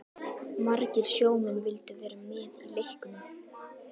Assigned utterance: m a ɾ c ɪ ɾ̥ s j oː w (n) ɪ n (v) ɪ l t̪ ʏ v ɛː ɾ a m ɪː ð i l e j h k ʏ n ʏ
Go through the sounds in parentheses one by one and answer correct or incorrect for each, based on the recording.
incorrect, correct

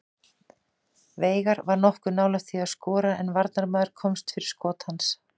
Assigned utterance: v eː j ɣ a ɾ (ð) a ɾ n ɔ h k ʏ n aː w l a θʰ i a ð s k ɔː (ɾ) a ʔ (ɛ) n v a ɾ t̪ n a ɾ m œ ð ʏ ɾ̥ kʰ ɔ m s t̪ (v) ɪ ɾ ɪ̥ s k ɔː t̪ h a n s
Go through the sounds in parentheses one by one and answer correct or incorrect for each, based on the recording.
incorrect, correct, correct, incorrect

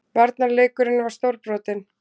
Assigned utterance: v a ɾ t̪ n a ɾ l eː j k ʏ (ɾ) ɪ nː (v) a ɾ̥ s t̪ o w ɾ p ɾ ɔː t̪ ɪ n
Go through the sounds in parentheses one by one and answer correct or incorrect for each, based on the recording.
correct, correct

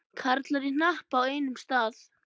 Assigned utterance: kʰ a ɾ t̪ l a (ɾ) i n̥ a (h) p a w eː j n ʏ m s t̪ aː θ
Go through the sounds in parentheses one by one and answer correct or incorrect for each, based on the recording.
correct, correct

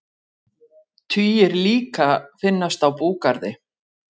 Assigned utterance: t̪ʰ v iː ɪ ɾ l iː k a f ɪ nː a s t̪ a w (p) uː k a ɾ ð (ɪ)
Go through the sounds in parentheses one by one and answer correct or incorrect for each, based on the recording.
correct, correct

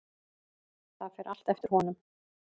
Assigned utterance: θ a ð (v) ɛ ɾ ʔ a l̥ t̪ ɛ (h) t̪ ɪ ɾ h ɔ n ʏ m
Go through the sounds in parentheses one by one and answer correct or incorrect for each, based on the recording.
incorrect, incorrect

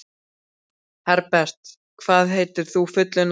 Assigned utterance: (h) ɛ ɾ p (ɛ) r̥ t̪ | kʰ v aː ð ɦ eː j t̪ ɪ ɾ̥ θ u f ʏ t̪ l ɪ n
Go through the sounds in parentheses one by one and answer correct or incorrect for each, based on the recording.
correct, correct

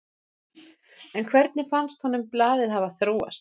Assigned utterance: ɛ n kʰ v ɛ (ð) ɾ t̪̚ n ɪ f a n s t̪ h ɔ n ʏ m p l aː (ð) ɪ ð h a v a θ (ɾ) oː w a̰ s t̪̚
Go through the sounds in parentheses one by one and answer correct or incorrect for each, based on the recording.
incorrect, correct, correct

